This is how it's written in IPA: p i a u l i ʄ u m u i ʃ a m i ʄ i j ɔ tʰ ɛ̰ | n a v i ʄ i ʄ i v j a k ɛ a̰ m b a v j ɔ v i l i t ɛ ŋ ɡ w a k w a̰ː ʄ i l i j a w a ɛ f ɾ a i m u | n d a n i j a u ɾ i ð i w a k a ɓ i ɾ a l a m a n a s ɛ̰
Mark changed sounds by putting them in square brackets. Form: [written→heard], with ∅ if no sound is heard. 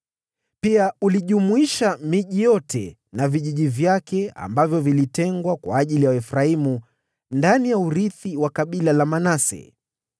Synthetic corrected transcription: p i a u l i ʄ u m u i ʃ a m i ʄ i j ɔ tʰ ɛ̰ | n a v i ʄ i ʄ i v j a k ɛ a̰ m b a v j ɔ v i l i t ɛ ŋ ɡ w a k w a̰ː ʄ i l i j a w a ɛ f ɾ a i m u | n d a n i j a u ɾ i [ð→θ] i w a k a ɓ i [ɾ→l] a l a m a n a s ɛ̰

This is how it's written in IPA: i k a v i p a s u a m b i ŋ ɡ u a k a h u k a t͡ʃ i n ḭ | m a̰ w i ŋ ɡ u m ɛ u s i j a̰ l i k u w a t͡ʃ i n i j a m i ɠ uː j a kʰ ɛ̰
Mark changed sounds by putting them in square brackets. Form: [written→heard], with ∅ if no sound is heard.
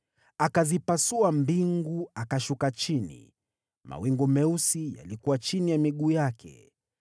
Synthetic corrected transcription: [i→a] k a [v→z] i p a s u a m b i ŋ ɡ u a k a [h→ʃ] u k a t͡ʃ i n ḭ | m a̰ w i ŋ ɡ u m ɛ u s i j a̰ l i k u w a t͡ʃ i n i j a m i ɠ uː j a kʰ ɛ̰

